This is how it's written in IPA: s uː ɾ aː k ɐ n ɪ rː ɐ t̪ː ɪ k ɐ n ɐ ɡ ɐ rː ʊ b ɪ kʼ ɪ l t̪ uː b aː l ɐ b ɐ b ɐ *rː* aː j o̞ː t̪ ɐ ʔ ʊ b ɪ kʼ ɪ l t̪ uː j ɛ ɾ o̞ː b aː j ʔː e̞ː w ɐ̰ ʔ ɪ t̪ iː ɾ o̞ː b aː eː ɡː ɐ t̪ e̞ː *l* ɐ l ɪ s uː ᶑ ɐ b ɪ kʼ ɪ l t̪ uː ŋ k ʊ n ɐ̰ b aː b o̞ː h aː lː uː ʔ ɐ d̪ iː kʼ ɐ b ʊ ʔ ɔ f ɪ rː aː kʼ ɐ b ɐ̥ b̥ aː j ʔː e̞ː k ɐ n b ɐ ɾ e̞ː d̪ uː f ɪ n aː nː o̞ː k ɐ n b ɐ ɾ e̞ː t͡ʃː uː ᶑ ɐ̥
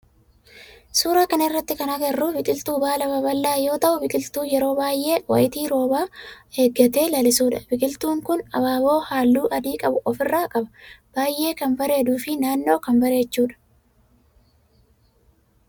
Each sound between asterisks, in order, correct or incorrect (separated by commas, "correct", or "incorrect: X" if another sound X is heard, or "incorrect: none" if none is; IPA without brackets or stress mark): incorrect: lː, correct